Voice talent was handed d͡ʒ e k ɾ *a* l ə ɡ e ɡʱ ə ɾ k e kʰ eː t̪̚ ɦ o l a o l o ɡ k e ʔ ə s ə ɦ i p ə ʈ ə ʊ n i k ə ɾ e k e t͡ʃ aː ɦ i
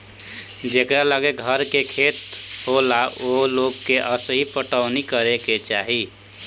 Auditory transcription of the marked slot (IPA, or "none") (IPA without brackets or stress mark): a